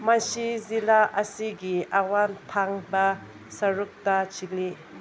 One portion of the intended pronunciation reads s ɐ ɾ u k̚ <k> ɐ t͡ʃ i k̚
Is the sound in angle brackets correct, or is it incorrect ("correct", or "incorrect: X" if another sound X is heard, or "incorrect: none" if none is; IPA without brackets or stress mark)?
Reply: incorrect: t